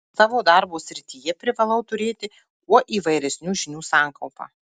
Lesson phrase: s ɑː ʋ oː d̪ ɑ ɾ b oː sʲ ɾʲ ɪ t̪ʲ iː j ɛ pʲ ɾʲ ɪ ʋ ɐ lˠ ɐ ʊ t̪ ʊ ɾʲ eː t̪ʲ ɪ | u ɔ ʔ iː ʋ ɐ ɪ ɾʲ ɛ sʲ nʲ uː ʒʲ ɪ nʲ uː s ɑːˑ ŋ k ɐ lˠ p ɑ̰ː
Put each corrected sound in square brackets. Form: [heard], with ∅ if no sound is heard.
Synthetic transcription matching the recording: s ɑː ʋ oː d̪ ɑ ɾ b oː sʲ ɾʲ ɪ t̪ʲ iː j ɛ pʲ ɾʲ ɪ ʋ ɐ lˠ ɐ ʊ t̪ ʊ ɾʲ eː t̪ʲ ɪ | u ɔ ʔ iː ʋ ɐ ɪ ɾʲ ɛ sʲ nʲ uː ʒʲ ɪ nʲ uː s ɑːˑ ŋ k ɐ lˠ p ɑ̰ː